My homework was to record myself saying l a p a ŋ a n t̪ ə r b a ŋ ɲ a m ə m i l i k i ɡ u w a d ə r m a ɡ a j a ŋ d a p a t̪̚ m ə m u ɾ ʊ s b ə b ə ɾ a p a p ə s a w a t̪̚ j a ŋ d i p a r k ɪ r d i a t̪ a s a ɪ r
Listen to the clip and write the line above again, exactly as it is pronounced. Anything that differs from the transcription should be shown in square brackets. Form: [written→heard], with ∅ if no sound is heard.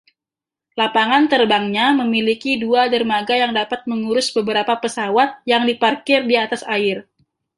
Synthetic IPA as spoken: l a p a ŋ a n t̪ ə r b a ŋ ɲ a m ə m i l i k i [ɡ→d] u [w→∅] a d ə r m a ɡ a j a ŋ d a p a t̪̚ m ə [m→ŋ] u ɾ ʊ s b ə b ə ɾ a p a p ə s a w a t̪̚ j a ŋ d i p a r k ɪ r d i a t̪ a s a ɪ r

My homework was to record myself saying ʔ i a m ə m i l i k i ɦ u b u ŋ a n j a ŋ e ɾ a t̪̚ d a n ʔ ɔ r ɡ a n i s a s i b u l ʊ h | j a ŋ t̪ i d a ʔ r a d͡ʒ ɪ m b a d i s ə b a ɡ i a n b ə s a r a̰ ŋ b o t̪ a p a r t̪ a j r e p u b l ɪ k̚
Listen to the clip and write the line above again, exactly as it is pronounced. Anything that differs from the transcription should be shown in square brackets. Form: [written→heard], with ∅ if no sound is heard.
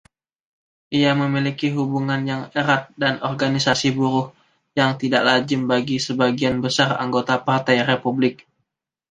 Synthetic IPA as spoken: ʔ i a m ə m i l i k i ɦ u b u ŋ a n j a ŋ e ɾ a t̪̚ d a n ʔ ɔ r ɡ a n i s a s i b u [l→ɾ] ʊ h | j a ŋ t̪ i d a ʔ [r→l] a d͡ʒ ɪ m b a [d→ɡ] i s ə b a ɡ i a n b ə s a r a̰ ŋ [b→ɡ] o t̪ a p a r t̪ a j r e p u b l ɪ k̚

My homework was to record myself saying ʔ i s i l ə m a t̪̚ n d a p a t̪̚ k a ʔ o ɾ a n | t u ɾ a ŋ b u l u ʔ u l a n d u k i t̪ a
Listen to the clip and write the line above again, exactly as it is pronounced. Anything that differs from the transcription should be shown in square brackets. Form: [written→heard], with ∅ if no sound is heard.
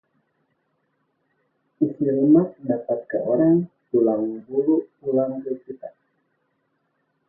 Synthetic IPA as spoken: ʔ i s i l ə m a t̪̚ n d a p a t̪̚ k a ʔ o ɾ a [n→ŋ] | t u [ɾ→l] a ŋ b u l u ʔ u l a [n→ŋ] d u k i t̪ a

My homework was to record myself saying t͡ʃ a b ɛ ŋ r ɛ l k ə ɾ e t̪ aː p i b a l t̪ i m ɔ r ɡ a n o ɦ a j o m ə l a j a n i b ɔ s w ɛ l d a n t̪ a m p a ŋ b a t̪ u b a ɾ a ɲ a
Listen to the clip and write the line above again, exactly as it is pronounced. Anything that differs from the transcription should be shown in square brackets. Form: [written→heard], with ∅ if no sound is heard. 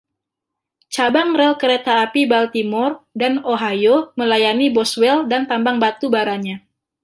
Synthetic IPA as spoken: t͡ʃ a b [ɛ→a] ŋ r ɛ l k ə ɾ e t̪ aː p i b a l t̪ i m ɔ r [ɡ→d] a n o ɦ a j o m ə l a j a n i b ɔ s w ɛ l d a n t̪ a m [p→b] a ŋ b a t̪ u b a ɾ a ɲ a

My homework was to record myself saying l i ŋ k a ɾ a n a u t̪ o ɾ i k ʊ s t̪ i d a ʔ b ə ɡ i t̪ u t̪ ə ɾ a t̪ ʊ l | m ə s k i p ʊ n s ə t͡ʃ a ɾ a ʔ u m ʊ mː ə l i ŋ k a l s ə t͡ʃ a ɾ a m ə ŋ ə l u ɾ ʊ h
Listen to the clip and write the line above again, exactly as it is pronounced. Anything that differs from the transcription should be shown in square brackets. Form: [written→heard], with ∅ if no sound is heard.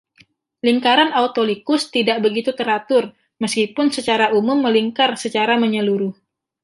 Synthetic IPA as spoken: l i ŋ k a ɾ a n a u t̪ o [ɾ→l] i k ʊ s t̪ i d a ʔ b ə ɡ i t̪ u t̪ ə ɾ a t̪ ʊ [l→r] | m ə s k i p ʊ n s ə t͡ʃ a ɾ a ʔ u m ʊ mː ə l i ŋ k a [l→r] s ə t͡ʃ a ɾ a m ə [ŋ→ɲ] ə l u ɾ ʊ h

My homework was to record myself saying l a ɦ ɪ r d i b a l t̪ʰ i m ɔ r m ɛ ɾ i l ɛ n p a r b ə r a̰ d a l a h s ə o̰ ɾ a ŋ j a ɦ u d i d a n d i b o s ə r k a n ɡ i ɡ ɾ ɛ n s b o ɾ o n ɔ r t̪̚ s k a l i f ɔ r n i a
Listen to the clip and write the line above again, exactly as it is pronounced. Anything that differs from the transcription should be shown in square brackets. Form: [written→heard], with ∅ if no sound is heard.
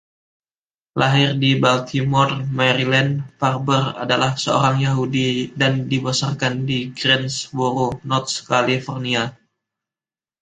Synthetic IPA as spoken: l a ɦ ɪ r d i b a l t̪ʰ i m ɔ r m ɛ ɾ i l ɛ n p a r b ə r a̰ d a l a h s ə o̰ ɾ a ŋ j a ɦ u d i d a n d i b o s [ə→a] r k a n [ɡ→d] i ɡ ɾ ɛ n s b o ɾ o n ɔ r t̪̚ s k a l i f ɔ r n i a

